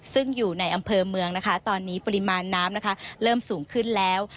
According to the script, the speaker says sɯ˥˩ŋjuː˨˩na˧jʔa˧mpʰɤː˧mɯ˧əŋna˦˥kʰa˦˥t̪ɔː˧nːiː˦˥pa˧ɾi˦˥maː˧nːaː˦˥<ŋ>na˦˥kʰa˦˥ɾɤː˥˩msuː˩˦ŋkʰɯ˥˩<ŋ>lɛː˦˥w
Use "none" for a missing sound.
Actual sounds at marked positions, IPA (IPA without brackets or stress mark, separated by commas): m, n